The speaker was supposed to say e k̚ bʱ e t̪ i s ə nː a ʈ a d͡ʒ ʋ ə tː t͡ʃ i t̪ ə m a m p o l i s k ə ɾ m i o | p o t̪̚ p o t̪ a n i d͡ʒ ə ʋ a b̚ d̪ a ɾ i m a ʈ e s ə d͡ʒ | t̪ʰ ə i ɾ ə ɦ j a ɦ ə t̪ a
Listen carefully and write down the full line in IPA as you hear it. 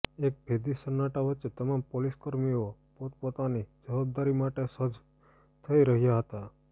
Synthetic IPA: e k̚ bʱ e d̪ i s ə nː a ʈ a ʋ ə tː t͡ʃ e t̪ ə m a m p o l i s k ə ɾ m i o | p o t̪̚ p o t̪ a n i d͡ʒ ə ʋ a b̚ d̪ a ɾ i m a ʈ e s ə d͡ʒ | t̪ʰ ə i ɾ ə ɦ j a ɦ ə t̪ a